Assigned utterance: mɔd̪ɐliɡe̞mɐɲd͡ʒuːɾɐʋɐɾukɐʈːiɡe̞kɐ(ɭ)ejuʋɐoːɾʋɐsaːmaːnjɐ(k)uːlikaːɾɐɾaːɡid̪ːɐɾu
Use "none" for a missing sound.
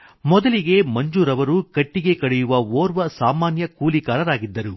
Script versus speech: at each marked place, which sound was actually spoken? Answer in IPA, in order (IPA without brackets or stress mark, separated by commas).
ɽ, k